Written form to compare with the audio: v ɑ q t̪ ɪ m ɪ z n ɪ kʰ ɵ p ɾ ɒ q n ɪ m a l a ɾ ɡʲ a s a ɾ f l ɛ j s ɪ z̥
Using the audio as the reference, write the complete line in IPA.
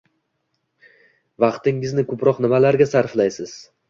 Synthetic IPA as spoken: v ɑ q t̪ ɪ ŋ ɪ z n ɪ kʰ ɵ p ɾ ɒ q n ɪ m a l a ɾ ɡʲ a s a ɾ f l a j s ɪ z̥

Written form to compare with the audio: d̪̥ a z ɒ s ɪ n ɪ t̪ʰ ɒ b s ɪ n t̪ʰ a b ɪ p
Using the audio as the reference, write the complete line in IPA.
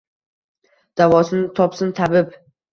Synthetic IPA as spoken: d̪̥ a v ɒ s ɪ n ɪ t̪ʰ ɒ p s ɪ n t̪ʰ a b ɪ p

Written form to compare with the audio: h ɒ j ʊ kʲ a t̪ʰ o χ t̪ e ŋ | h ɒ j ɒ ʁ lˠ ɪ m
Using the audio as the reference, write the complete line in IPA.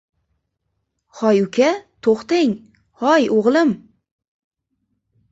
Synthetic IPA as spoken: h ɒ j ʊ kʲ a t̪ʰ o χ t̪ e ŋ | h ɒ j o ʁ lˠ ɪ m

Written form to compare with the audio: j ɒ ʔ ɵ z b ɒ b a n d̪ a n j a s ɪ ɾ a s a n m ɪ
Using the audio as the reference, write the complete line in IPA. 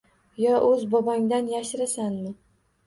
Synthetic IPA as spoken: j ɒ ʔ ɵ z b ɒ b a ŋ d̪ a n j a ʃ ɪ ɾ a s a n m ɪ

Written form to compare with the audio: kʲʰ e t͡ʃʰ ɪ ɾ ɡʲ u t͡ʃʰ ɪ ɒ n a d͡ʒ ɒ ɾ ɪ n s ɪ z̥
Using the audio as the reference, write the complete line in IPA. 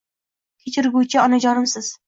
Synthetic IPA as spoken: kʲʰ e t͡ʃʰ ɪ ɾ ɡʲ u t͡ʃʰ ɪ ɒ n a d͡ʒ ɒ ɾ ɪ m s ɪ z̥

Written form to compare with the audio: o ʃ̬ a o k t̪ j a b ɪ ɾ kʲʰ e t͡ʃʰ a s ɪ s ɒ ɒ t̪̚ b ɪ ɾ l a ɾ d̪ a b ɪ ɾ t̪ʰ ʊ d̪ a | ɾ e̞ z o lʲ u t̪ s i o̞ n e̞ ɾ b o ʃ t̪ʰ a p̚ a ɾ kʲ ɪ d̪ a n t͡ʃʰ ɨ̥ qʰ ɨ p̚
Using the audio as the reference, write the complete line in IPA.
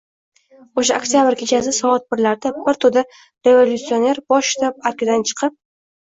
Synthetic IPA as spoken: o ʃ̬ a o k t̪ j a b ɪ ɾ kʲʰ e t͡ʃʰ a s ɪ s ɒ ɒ t̪̚ b ɪ ɾ l a ɾ d̪ a b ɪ ɾ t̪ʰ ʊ d̪ a | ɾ e̞ v o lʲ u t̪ s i o̞ n e̞ ɾ b ɒ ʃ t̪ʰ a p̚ a ɾ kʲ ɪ d̪ a n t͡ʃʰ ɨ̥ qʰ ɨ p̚

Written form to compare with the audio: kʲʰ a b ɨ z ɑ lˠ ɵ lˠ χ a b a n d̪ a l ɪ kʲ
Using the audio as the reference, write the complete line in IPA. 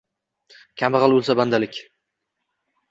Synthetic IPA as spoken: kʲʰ a m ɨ ʁ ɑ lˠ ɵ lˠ s a b a n d̪ a l ɪ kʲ

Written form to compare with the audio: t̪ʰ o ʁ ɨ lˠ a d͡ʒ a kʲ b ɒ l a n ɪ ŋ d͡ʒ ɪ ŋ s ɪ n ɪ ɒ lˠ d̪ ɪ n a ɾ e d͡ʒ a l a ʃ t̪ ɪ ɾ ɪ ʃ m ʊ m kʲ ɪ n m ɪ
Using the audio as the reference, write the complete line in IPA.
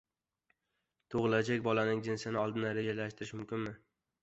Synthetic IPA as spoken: t̪ʰ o ʁ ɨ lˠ a d͡ʒ a kʲ b ɒ l a n ɪ ŋ d͡ʒ ɪ n s ɪ n ɪ ɒ lˠ d̪ ɪ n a ɾ e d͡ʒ a l a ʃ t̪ ɪ ɾ ɪ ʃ m ʊ m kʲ ɪ n m ɪ

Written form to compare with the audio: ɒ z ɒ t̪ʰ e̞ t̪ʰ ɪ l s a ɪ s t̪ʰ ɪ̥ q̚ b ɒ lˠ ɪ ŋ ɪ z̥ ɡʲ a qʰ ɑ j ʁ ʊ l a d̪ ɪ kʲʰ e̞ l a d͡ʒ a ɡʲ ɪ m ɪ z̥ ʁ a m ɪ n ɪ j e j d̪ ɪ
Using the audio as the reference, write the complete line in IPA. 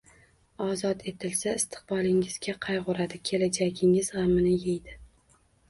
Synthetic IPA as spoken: ɒ z ɒ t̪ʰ e̞ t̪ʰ ɪ l s a ɪ s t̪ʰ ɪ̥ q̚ b ɒ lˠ ɪ ŋ ɪ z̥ ɡʲ a qʰ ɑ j ʁ ʊ ɾ a d̪ ɪ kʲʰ e̞ l a d͡ʒ a ɡʲ ɪ ŋ ɪ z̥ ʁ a m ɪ n ɪ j e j d̪ ɪ

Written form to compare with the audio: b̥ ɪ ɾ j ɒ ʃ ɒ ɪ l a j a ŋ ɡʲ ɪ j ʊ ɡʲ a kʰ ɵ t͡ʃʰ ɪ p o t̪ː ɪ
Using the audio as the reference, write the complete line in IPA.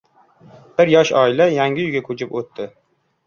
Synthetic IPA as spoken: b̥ ɪ ɾ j ɒ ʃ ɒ ɪ l a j a ŋ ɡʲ ɪ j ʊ ɡʲ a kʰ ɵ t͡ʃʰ ɪ p o t̪ː ɪ

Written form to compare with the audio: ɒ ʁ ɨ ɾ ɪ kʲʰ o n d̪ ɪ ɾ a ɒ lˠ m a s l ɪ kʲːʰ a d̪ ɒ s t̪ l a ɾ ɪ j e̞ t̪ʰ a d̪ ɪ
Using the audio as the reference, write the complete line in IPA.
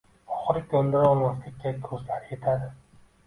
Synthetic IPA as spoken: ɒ χ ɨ ɾ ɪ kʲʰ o n d̪ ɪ ɾ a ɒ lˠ m a s l ɪ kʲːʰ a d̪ o s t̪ l a ɾ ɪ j e̞ t̪ʰ a d̪ ɪ

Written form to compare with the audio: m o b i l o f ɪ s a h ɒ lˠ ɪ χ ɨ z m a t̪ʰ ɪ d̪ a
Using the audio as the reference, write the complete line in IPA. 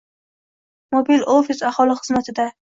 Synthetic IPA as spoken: m o b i l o f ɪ s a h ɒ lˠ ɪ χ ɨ z m a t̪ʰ ɪ d̪ a

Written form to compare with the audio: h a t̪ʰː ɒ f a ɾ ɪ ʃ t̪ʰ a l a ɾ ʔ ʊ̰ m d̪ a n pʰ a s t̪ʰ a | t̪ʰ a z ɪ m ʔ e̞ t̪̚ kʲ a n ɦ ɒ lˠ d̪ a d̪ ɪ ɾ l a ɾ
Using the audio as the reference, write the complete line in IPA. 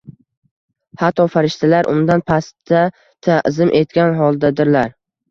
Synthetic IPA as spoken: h a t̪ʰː ɒ f a ɾ ɪ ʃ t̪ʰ a l a ɾ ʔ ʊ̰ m d̪ a n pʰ a s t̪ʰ a | t̪ʰ a z ɪ m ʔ e̞ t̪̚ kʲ a n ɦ ɒ lˠ d̪ a d̪ ɪ ɾ l a ɾ

